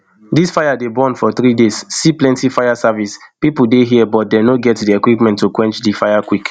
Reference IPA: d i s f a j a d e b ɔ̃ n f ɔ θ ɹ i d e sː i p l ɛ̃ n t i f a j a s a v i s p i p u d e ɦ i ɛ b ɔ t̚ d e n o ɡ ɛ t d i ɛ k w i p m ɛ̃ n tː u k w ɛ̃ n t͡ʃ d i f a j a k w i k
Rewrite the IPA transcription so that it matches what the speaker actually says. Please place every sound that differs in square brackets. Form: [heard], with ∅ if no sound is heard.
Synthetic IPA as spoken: d i s f a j a d e b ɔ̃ n f ɔ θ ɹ i d e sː i p l ɛ̃ n t i f a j a s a v i s p i p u d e ɦ i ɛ b ɔ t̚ d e n o ɡ ɛ t d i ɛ k w i p m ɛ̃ n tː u k w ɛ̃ n t͡ʃ d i f a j a k w i k